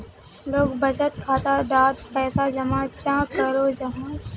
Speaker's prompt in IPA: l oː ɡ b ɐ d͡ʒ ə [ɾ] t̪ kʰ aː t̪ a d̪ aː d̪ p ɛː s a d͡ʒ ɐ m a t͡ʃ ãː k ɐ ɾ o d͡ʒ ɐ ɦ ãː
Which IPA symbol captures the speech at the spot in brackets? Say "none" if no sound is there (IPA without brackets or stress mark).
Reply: none